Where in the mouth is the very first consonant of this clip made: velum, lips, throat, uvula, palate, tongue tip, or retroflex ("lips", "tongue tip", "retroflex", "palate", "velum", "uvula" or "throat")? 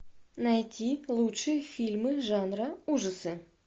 tongue tip